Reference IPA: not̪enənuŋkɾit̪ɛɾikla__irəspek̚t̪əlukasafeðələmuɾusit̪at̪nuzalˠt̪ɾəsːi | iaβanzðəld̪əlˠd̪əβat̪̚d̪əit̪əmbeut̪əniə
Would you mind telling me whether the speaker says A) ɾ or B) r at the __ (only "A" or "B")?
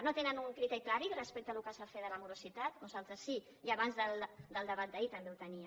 A